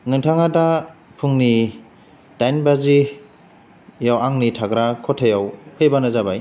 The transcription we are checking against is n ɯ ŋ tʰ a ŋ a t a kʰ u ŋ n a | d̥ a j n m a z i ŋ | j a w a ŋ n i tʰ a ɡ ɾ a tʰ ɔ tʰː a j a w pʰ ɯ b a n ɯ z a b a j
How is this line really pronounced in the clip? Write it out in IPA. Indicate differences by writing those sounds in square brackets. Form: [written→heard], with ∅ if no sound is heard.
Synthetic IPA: n ɯ ŋ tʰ a ŋ a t a [kʰ→pʰ] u ŋ n [a→i] | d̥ a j n [m→b] a z i [ŋ→∅] | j a w a ŋ n i tʰ a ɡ ɾ a [tʰ→kʰ] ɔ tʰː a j a w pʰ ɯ b a n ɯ z a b a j

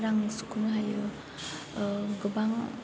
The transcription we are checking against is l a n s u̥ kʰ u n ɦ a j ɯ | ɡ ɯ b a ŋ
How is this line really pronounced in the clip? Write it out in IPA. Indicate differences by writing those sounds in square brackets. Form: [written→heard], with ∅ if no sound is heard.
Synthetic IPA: [l→ɾ] a [n→ŋ] s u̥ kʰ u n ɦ a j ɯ | ɡ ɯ b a ŋ

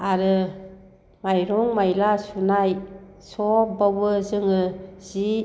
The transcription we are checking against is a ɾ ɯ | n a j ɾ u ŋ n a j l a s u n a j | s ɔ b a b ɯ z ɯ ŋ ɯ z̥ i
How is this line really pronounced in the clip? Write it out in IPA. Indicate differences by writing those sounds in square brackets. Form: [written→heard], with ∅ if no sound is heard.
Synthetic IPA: a ɾ ɯ | [n→m] a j ɾ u ŋ [n→m] a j l a s u n a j | s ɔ b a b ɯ z ɯ ŋ ɯ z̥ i

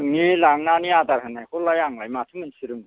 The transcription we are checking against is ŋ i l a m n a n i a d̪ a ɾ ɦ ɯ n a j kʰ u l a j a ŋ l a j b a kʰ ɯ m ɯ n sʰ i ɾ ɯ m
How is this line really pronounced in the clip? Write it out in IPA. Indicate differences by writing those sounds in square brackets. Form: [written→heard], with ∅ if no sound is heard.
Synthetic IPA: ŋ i l a [m→ŋ] n a n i a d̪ a ɾ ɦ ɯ n a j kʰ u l a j a ŋ l a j [b→m] a [kʰ→tʰ] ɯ m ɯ n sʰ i ɾ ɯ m

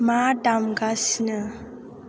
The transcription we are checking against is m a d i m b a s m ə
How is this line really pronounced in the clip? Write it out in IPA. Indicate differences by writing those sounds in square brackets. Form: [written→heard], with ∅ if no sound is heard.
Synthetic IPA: m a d [i→a] m [b→ɡ] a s [m→n] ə

